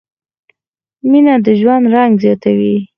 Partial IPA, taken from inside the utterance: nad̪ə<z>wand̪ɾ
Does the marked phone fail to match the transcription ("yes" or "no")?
yes